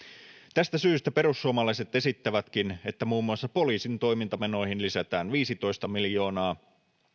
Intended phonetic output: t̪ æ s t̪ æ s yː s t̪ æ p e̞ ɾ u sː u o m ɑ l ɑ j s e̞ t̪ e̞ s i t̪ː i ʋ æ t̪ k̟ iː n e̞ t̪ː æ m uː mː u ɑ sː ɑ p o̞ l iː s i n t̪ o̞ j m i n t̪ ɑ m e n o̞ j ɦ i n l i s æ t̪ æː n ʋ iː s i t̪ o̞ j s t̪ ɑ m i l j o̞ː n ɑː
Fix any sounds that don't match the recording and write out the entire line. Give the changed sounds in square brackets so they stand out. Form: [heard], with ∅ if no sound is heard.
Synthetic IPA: t̪ æ s t̪ æ s yː s t̪ æ p e̞ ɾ u sː u o m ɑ l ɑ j s e̞ t̪ e̞ s i t̪ː [æ] ʋ æ t̪ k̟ [i] n e̞ t̪ː æ m uː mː u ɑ sː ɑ p o̞ l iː s i n t̪ o̞ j m i n t̪ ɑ m e n o̞ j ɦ i n l i s æ t̪ æː n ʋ iː s i t̪ o̞ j s t̪ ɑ m i l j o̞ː n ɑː